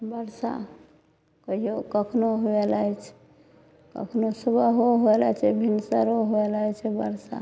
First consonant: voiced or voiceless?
voiced